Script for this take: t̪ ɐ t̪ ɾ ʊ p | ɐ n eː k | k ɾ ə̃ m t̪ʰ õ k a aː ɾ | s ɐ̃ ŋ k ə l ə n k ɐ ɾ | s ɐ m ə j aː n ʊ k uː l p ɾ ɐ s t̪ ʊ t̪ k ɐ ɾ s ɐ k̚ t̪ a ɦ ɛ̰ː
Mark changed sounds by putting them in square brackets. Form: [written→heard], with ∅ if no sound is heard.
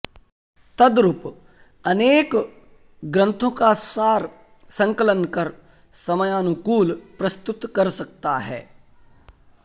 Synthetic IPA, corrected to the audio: t̪ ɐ [t̪→d̪] ɾ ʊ p | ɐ n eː k | [k→ɡ] ɾ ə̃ [m→n] t̪ʰ õ k a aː ɾ | s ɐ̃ ŋ k ə l ə n k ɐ ɾ | s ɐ m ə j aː n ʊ k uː l p ɾ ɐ s t̪ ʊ t̪ k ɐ ɾ s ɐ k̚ t̪ a ɦ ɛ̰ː